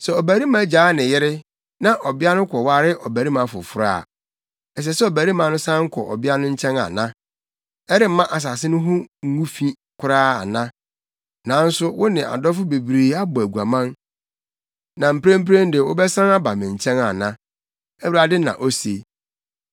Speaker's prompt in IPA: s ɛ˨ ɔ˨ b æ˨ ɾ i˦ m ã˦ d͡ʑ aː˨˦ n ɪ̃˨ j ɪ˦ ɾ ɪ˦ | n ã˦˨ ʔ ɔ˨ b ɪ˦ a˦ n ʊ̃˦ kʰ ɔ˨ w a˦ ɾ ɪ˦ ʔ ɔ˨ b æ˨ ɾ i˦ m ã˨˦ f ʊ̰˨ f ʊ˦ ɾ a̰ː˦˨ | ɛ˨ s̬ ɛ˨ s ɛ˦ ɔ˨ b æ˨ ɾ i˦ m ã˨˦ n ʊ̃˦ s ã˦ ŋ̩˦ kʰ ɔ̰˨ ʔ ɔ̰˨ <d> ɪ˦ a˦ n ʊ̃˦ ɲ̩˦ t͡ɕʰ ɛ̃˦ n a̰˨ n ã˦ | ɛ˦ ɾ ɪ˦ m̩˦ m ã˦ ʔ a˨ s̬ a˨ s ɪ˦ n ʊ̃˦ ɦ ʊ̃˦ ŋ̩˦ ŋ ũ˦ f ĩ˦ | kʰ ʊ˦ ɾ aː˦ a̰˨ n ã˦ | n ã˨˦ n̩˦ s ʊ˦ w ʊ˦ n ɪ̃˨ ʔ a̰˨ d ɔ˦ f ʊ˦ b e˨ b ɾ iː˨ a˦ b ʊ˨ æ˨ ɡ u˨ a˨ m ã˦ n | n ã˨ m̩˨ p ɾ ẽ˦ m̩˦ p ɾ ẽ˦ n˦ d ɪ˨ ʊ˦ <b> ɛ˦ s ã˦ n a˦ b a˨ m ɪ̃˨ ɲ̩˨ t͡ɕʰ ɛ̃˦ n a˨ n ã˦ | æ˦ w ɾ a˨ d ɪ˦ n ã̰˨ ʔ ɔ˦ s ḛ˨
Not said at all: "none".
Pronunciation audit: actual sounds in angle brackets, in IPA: b, b

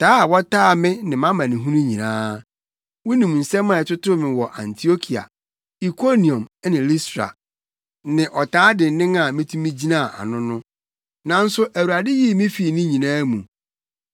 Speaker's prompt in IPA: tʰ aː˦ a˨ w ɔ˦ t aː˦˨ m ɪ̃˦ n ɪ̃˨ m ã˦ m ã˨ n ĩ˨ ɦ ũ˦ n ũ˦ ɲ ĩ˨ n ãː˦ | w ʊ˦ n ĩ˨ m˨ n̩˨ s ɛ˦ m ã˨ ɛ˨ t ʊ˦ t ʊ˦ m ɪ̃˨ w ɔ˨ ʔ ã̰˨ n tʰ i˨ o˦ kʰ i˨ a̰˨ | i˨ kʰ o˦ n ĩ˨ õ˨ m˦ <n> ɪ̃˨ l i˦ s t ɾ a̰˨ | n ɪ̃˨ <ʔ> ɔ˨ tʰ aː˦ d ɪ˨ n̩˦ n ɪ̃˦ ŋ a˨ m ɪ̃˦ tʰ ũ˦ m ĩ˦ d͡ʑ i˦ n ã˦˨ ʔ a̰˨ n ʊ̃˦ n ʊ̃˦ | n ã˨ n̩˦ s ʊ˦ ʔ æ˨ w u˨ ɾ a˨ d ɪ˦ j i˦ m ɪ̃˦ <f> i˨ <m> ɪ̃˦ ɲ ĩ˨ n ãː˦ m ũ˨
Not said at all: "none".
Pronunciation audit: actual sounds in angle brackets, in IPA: n, ʔ, f, n

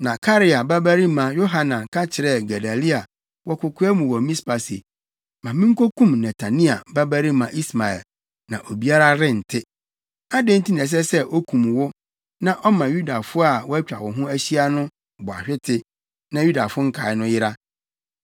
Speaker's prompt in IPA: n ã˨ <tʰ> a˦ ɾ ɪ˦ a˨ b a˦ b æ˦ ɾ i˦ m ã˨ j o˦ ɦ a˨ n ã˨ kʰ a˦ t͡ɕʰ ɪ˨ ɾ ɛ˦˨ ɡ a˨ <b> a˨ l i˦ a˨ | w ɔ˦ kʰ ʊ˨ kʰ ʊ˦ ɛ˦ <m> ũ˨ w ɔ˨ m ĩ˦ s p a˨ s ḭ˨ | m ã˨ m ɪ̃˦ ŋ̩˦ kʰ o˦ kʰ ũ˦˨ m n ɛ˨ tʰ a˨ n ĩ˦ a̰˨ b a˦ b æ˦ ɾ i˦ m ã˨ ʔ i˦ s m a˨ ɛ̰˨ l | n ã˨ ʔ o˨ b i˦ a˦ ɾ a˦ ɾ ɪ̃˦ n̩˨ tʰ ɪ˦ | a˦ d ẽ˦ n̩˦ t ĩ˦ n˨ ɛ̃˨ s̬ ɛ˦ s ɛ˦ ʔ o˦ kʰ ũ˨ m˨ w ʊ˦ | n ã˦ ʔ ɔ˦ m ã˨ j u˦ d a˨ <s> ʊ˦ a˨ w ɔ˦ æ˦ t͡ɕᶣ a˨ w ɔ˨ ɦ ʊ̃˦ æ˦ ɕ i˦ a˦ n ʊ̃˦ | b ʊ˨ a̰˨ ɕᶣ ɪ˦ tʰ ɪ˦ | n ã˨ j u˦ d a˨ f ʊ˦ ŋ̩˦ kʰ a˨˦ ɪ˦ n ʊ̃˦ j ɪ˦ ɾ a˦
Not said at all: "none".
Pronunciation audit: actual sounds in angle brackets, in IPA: kʰ, d, m, f

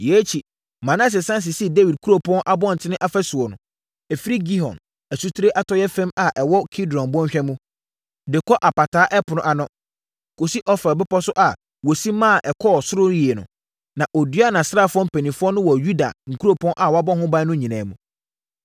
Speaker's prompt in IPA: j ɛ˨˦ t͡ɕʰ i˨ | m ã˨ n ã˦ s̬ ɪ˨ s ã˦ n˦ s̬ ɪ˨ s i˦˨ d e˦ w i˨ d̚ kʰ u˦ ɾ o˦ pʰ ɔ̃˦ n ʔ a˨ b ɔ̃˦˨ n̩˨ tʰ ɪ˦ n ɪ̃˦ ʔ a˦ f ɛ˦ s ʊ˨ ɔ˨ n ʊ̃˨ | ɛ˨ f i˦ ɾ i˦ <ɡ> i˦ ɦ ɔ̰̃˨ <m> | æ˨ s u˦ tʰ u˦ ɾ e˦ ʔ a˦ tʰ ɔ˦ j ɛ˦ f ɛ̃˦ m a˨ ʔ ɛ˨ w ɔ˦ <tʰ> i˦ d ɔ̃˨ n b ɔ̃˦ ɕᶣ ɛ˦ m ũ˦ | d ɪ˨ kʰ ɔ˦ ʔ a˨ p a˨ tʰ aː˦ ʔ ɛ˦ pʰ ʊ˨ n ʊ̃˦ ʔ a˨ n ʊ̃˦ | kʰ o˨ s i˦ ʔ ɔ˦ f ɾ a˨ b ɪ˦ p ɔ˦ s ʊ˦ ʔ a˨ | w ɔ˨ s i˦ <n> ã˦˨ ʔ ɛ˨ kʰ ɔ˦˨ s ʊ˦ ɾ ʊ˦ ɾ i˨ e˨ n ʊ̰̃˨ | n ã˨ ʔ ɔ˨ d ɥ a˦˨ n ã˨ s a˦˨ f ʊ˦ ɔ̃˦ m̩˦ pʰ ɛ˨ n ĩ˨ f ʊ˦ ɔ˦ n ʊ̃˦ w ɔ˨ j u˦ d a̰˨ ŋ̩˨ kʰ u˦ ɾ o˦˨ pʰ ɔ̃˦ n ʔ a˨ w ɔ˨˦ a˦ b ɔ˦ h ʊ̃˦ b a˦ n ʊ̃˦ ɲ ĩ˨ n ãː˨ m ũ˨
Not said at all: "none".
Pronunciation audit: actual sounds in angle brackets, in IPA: ɡ, n, kʰ, m

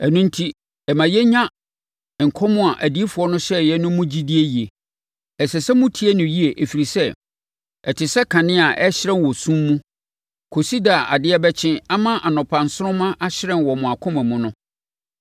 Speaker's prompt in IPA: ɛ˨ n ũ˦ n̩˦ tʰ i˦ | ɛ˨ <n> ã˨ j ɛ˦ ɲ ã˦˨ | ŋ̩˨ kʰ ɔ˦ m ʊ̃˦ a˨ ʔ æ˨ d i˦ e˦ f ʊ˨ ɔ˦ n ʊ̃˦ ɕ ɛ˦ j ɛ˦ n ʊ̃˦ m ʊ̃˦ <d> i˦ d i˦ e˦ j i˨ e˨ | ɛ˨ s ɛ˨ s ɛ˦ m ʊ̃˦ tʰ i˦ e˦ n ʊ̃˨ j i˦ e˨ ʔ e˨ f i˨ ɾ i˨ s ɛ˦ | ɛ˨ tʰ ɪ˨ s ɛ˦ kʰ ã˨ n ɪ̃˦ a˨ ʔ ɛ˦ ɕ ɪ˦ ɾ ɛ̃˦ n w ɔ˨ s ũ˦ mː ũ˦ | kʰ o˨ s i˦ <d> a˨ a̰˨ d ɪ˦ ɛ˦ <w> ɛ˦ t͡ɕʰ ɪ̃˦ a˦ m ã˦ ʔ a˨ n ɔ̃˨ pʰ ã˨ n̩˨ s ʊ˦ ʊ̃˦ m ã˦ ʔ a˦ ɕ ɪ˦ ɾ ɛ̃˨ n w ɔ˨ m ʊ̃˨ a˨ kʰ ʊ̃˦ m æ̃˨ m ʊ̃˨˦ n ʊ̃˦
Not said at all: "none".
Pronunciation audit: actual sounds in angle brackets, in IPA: m, d͡ʑ, d, b

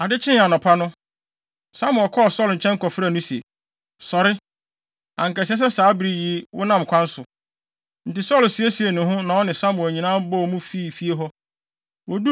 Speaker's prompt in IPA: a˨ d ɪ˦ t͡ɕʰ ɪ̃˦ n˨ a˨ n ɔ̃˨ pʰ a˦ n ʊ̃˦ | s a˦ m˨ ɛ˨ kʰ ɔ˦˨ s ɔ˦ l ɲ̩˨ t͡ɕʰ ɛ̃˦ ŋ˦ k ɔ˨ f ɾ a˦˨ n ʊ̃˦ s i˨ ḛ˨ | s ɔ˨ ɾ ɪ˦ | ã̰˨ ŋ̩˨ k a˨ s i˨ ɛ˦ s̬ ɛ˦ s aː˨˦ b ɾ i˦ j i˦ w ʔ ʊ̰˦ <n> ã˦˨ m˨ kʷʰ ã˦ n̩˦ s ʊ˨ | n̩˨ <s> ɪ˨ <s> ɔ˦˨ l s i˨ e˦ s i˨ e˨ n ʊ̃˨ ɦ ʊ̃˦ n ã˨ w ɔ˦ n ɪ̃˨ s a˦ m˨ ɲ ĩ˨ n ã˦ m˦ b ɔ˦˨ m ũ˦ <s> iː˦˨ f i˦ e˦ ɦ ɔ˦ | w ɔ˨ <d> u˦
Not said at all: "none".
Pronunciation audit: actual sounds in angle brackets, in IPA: n, t, s, f, d

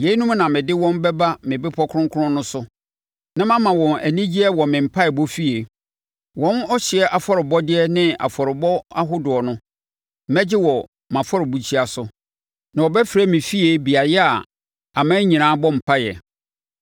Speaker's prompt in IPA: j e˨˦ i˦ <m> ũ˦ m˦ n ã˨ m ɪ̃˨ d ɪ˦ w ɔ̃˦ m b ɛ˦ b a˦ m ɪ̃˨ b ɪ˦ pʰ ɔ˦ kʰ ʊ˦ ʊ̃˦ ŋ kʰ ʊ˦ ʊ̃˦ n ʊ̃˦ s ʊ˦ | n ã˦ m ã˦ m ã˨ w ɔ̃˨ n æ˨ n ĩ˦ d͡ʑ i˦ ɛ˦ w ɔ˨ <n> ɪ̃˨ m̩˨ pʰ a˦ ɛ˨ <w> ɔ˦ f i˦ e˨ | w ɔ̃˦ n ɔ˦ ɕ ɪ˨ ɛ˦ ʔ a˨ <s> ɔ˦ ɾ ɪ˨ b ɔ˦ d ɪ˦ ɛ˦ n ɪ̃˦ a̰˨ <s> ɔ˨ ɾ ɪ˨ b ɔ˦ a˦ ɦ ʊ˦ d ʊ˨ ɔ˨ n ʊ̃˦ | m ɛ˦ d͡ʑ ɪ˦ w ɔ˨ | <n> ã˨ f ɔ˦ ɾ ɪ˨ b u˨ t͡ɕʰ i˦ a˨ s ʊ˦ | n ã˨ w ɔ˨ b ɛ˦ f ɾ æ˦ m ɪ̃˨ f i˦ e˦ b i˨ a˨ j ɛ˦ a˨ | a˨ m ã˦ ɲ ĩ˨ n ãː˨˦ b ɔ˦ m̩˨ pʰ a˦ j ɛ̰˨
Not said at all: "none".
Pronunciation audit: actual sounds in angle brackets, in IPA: n, m, b, f, f, m

